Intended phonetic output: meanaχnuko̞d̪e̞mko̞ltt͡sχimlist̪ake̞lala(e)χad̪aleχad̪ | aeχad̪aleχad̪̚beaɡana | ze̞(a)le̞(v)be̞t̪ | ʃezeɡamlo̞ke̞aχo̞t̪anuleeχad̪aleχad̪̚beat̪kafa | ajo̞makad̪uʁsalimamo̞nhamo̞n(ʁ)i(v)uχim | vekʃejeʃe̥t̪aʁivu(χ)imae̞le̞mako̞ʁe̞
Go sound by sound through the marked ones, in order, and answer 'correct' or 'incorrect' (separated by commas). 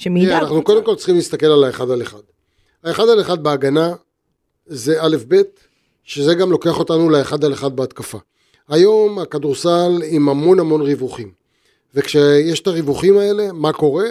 correct, correct, incorrect, correct, correct, correct